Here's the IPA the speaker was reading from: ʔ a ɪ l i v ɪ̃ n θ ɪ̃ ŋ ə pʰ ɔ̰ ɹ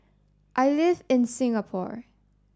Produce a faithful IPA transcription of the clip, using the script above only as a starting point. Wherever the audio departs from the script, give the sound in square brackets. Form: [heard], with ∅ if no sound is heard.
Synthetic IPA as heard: ʔ a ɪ l [ɪ] v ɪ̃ n [s] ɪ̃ ŋ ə pʰ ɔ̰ ɹ

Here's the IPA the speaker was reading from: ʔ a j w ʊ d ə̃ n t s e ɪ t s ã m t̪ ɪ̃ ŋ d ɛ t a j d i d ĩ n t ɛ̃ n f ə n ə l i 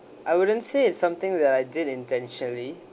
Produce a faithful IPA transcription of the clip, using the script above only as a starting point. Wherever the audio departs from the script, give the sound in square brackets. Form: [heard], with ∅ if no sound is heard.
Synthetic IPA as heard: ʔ a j w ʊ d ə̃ n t s e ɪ t s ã m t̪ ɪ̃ ŋ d ɛ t a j d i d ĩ n t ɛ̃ n [ʃ] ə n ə l i

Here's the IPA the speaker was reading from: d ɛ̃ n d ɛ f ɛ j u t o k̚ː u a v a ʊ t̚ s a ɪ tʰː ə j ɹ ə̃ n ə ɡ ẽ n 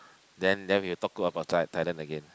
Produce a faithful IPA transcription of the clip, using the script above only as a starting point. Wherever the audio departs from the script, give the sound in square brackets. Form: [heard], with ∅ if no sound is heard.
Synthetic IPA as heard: d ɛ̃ n d ɛ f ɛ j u t [ɔ] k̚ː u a [b] a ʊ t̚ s a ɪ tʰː [a] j [l] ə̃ n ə ɡ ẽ n

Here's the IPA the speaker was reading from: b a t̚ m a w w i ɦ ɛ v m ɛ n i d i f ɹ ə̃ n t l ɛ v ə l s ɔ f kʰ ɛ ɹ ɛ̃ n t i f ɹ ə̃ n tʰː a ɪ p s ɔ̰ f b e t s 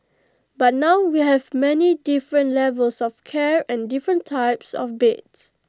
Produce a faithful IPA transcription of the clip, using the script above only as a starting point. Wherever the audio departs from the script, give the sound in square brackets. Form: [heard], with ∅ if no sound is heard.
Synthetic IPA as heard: b a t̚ [n] a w w i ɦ ɛ v m ɛ n i d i f ɹ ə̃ n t l ɛ v ə l s ɔ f kʰ ɛ ɹ ɛ̃ n [d] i f ɹ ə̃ n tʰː a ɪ p s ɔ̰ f b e t s

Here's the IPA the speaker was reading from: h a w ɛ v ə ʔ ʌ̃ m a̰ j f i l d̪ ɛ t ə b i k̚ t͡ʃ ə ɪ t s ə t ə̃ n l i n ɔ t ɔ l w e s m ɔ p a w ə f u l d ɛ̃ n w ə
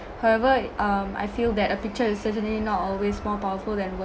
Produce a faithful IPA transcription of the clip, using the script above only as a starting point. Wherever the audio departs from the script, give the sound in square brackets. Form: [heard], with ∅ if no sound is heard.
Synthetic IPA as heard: h a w ɛ v ə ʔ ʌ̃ m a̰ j f i l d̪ ɛ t ə [p] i k̚ t͡ʃ ə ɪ [s] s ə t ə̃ n l i n ɔ t ɔ l w e s m ɔ p a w ə f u l d ɛ̃ n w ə

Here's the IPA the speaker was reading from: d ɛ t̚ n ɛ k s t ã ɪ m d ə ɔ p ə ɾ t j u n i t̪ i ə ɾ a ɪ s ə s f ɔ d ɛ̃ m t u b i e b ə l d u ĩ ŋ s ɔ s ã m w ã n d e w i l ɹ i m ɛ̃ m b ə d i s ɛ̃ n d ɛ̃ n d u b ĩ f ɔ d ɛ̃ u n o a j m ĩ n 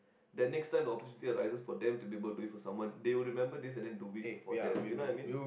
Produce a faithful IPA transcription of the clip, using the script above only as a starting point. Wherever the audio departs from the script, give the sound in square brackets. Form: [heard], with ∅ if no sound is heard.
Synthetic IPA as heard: d ɛ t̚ n ɛ k s t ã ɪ m d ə ɔ p ə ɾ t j u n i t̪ i ə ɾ a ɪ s ə s f ɔ d ɛ̃ m t u b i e b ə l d u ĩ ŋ [f] ɔ s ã m w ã n d e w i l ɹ i m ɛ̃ m b ə d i s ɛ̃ n d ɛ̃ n d u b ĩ f ɔ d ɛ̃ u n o a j m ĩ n

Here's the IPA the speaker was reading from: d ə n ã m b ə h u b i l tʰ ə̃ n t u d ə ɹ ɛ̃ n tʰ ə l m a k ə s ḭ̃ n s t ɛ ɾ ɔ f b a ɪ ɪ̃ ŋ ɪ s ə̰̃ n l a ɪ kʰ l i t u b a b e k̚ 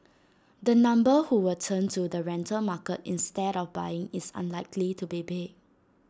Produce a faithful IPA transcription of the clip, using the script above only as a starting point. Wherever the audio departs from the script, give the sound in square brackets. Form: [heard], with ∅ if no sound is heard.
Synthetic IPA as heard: d ə n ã m b ə h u [w] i l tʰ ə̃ n t u d ə ɹ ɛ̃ n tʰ ə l m a k ə [t] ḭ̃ n s t ɛ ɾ ɔ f b a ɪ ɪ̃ ŋ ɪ s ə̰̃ n l a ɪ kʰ l i t u b [i] b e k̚

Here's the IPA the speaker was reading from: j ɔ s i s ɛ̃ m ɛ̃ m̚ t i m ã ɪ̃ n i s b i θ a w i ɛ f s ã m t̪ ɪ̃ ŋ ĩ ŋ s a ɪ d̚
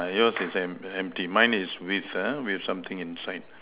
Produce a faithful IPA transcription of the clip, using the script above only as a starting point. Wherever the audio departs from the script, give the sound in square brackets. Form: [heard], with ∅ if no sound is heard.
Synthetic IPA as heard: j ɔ s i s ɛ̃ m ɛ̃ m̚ t i m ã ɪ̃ n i s [w] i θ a w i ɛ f s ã m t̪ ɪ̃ ŋ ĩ [n] s a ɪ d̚

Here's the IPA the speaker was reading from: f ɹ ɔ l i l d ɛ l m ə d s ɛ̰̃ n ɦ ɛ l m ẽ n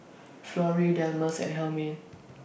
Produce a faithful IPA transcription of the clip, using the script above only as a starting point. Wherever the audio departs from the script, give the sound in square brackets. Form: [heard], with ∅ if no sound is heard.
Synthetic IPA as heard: f [l] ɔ [ɹ] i [∅] d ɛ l m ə [∅] s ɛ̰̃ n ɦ ɛ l m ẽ n

